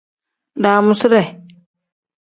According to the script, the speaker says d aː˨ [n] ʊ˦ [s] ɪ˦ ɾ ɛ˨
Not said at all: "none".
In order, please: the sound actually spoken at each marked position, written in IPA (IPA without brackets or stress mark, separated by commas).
m, s